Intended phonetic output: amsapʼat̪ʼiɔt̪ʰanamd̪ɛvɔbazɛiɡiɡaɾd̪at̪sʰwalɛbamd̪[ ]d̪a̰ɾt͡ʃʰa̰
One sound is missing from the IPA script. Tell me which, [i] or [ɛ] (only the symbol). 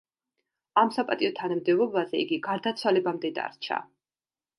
ɛ